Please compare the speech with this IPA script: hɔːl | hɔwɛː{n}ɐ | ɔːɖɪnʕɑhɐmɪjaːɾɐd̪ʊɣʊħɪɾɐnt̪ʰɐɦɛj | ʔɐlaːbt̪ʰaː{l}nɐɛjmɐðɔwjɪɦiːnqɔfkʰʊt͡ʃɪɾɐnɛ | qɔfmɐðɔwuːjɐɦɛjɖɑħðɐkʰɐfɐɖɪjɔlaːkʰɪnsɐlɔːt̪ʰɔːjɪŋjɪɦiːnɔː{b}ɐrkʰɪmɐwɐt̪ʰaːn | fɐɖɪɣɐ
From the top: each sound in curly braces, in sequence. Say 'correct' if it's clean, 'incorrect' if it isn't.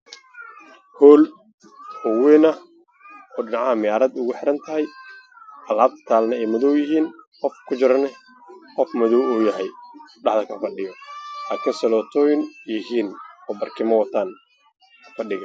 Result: correct, correct, correct

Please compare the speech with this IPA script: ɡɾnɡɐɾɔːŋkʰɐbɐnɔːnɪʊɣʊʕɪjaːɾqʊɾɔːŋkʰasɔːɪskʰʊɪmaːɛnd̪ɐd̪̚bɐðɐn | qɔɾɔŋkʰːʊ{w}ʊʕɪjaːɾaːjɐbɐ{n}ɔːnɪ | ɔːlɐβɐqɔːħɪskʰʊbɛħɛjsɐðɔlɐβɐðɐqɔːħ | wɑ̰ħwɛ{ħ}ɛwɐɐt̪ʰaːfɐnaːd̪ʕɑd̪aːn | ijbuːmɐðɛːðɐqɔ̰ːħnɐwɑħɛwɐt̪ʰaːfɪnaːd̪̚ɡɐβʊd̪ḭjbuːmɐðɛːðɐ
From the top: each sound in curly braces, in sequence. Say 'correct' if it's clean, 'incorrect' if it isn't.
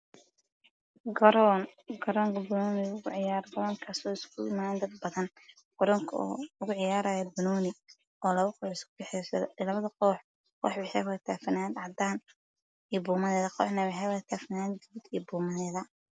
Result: incorrect: ɣ, correct, correct

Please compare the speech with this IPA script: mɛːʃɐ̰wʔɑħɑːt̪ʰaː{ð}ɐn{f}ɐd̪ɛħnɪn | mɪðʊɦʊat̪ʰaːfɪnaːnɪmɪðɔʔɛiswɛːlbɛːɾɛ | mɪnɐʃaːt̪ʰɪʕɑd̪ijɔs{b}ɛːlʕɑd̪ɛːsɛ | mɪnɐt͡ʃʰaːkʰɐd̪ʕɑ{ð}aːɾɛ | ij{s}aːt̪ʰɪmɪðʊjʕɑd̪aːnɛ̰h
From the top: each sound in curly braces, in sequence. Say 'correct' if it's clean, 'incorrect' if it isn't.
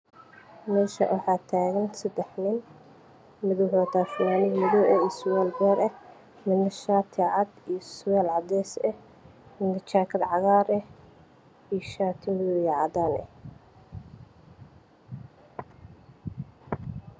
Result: incorrect: ɣ, incorrect: s, incorrect: w, incorrect: ɣ, incorrect: ʃ

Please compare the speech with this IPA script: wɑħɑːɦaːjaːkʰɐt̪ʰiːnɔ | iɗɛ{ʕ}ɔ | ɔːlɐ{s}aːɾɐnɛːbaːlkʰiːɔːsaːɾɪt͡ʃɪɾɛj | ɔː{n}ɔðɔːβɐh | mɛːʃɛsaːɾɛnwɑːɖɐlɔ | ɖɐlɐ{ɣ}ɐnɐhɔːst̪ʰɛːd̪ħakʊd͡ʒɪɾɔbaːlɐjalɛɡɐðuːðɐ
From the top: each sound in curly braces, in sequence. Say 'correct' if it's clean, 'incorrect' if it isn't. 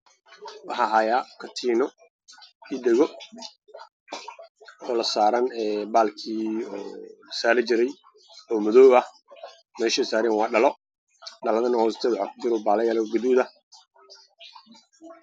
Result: incorrect: ɣ, correct, incorrect: m, incorrect: ð

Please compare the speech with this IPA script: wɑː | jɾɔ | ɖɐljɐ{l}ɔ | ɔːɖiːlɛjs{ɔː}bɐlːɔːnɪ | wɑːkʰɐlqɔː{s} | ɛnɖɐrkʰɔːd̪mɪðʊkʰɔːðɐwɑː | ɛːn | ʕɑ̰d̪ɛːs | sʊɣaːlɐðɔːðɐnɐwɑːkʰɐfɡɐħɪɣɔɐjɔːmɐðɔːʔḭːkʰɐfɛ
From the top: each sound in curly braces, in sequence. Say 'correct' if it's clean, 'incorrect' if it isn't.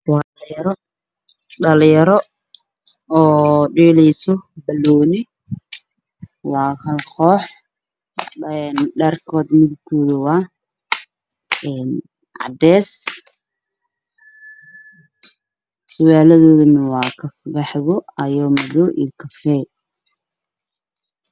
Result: incorrect: ɾ, incorrect: ɔ, incorrect: ħ

